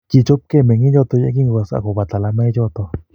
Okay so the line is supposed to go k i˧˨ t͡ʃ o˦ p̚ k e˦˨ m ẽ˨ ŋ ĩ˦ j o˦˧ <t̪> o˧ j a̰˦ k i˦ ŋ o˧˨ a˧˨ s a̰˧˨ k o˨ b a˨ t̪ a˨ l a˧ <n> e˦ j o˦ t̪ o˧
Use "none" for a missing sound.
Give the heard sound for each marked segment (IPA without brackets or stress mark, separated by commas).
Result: t̪, m